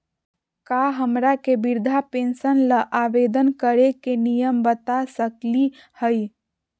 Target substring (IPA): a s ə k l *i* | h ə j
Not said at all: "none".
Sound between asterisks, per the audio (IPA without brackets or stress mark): i